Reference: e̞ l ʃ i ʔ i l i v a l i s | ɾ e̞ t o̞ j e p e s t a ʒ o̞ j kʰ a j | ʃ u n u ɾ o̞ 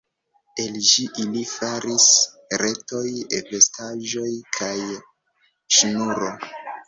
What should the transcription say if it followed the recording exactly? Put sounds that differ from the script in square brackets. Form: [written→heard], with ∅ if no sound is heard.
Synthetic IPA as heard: e̞ l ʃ i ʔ i l i [v→f] a [l→ɾ] i s | ɾ e̞ t o̞ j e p e s t a ʒ o̞ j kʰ a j | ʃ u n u ɾ o̞

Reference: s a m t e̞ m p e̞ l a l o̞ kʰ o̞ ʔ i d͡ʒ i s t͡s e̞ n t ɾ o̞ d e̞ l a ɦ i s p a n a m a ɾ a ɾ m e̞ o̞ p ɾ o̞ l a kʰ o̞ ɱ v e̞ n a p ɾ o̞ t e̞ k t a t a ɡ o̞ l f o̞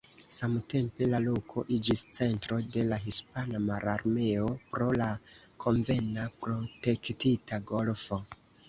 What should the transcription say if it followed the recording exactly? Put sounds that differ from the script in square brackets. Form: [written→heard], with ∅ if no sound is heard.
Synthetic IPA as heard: s a m t e̞ m p e̞ l a l o̞ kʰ o̞ ʔ i d͡ʒ i s t͡s e̞ n t ɾ o̞ d e̞ l a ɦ i s p a n a m a ɾ a ɾ m e̞ o̞ p ɾ o̞ l a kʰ o̞ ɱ v e̞ n a p ɾ o̞ t e̞ k t [a→i] t a ɡ o̞ l f o̞

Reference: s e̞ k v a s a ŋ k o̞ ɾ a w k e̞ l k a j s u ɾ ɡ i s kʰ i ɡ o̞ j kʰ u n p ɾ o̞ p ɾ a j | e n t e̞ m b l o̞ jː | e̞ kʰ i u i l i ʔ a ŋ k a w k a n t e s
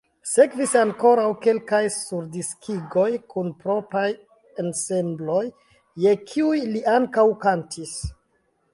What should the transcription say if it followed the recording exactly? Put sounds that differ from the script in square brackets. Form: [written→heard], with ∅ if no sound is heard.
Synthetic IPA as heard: s e̞ k v [a→i] s a ŋ k o̞ ɾ a w k e̞ l k a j s u ɾ [ɡ→d] i s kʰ i ɡ o̞ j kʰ u n p ɾ o̞ p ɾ a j | e n [t→s] e̞ m b l o̞ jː | e̞ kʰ i u [i→j] l i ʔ a ŋ k a w k a n t [e→i] s

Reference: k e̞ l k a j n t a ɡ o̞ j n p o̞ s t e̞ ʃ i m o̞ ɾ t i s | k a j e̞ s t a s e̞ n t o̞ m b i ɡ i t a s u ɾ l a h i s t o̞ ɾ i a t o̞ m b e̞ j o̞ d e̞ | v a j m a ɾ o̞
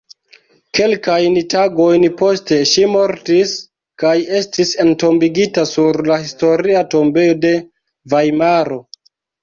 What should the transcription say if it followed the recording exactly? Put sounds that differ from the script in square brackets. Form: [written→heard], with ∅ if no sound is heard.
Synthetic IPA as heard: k e̞ l k a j n t a ɡ o̞ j n p o̞ s t e̞ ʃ i m o̞ ɾ t i s | k a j e̞ s t [a→i] s e̞ n t o̞ m b i ɡ i t a s u ɾ l a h i s t o̞ ɾ i a t o̞ m b e̞ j o̞ d e̞ | v a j m a ɾ o̞

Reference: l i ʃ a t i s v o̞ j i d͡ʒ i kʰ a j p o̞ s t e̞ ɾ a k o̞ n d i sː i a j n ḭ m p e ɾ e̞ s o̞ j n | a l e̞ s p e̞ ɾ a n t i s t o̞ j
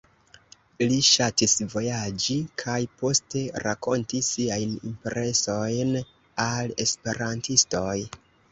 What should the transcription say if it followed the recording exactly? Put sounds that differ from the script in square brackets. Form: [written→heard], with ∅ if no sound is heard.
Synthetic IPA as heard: l i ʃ a t i s v o̞ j [i→a] d͡ʒ i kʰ a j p o̞ s t e̞ ɾ a k o̞ n [d→t] i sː i a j n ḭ m p e ɾ e̞ s o̞ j n | a l e̞ s p e̞ ɾ a n t i s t o̞ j

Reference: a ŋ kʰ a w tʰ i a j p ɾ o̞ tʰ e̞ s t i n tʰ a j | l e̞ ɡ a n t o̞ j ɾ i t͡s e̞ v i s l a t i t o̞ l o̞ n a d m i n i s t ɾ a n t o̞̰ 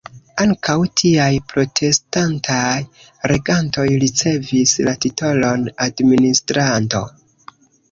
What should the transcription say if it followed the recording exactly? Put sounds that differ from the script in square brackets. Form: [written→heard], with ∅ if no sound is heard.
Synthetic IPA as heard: a ŋ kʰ a w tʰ i a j p ɾ o̞ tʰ e̞ s t [i→a] n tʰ a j | [l→ɾ] e̞ ɡ a n t o̞ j ɾ i t͡s e̞ v i s l a t i t o̞ l o̞ n a d m i n i s t ɾ a n t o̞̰

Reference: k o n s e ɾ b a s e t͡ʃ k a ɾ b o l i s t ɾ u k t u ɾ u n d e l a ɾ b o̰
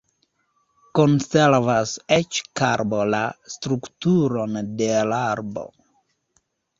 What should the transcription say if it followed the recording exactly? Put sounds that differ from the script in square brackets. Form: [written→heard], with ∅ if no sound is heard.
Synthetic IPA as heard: k o n s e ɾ [b→v] a s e t͡ʃ k a ɾ b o l [i→a] s t ɾ u k t u ɾ [u→o] n d e l a ɾ b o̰

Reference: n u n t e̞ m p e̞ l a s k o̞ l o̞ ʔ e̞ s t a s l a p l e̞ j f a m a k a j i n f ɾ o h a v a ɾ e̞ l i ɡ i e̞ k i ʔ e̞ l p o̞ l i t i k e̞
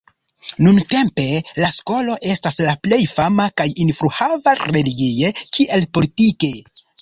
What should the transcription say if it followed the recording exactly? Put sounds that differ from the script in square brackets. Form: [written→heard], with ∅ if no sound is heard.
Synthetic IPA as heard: n u n t e̞ m p e̞ l a s k o̞ l o̞ ʔ e̞ s t a s l a p l e̞ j f a m a k a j i n f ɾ [o→u] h a v a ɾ e̞ l i ɡ i e̞ k i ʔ e̞ l p o̞ l i t i k e̞

